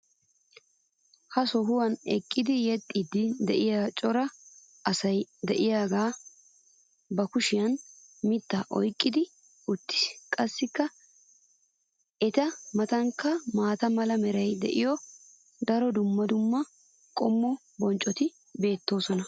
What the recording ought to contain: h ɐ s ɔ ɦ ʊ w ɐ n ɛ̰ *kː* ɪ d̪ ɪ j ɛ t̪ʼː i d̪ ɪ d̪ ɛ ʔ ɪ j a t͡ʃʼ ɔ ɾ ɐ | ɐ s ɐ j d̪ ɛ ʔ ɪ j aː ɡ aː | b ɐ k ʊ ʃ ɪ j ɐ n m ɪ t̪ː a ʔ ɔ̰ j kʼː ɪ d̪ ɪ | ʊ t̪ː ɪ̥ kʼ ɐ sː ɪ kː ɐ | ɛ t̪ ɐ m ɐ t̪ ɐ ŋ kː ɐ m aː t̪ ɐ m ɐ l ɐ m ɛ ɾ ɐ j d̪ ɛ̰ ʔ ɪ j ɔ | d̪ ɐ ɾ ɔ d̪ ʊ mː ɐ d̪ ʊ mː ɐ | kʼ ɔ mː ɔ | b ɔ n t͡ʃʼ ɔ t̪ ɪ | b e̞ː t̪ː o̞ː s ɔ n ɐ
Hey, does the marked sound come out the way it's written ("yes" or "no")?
no